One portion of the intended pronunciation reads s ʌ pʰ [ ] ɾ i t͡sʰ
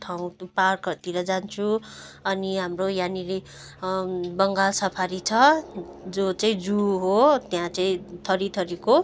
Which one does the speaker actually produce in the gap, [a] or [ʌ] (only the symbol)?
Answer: a